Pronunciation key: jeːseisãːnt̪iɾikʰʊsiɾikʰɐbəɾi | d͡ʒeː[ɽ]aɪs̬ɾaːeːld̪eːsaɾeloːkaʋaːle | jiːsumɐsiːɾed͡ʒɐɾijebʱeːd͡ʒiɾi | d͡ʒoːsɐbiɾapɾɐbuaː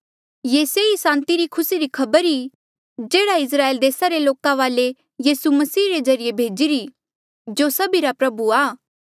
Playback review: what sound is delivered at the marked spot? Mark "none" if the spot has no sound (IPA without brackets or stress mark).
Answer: ɽ